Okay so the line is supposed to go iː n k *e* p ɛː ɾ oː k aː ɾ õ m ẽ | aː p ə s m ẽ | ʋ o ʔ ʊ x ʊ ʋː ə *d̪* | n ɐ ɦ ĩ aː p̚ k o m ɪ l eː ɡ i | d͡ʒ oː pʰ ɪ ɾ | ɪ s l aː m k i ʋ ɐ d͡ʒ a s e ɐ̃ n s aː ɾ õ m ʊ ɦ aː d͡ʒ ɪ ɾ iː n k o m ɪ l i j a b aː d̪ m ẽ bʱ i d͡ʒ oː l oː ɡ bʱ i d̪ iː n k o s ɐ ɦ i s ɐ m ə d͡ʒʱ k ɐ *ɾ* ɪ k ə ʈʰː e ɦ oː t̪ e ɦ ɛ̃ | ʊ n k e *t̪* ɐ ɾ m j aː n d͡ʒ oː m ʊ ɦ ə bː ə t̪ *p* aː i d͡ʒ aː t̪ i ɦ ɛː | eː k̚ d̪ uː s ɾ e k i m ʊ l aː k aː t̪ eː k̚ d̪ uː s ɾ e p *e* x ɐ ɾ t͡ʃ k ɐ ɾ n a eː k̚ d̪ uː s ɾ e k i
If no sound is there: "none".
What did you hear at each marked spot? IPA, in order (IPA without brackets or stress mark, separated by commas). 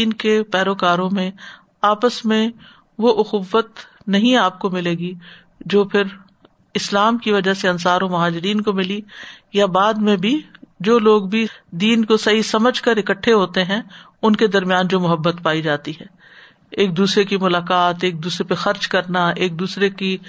e, t̪, ɾ, d̪, p, e